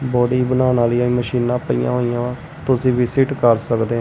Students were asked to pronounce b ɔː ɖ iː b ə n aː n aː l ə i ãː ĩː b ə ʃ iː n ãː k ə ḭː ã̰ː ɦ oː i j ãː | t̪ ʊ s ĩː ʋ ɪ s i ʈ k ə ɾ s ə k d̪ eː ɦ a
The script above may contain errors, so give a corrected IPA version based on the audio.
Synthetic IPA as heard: b ɔː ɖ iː b ə n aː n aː l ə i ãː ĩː m ə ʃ iː n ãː p ə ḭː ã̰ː ɦ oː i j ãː | t̪ ʊ s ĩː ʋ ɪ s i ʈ k ə ɾ s ə k d̪ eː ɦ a